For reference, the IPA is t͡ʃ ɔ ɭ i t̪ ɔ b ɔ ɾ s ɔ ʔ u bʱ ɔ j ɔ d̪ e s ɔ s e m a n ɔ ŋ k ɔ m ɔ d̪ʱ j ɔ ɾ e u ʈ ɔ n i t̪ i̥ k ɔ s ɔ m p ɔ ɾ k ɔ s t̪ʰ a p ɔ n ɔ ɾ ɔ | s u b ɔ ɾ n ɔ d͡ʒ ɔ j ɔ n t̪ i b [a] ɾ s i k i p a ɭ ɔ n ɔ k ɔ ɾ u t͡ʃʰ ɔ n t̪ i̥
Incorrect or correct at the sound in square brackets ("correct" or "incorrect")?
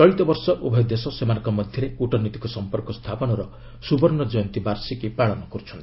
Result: correct